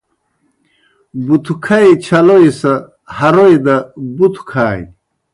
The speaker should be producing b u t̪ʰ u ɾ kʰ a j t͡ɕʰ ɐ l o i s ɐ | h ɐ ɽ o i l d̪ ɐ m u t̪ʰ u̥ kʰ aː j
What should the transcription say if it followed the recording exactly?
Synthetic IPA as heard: b u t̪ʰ u kʰ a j t͡ɕʰ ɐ l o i s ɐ | h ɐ ɾ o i d̪ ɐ b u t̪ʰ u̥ kʰ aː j